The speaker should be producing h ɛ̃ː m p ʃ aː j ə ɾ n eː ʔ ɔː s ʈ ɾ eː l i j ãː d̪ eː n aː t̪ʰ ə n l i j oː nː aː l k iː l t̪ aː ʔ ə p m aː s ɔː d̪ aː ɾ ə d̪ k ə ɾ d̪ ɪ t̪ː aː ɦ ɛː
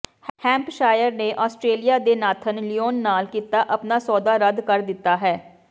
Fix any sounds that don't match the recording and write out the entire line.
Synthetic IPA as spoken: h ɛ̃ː m p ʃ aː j ə ɾ n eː ʔ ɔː s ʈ ɾ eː l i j aː d̪ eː n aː t̪ʰ ə n l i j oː nː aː l k iː t̪ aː ʔ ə p n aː s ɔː d̪ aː ɾ ə d̪ k ə ɾ d̪ ɪ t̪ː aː ɦ ɛː